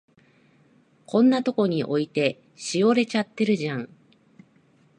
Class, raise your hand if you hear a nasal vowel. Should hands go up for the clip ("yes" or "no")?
yes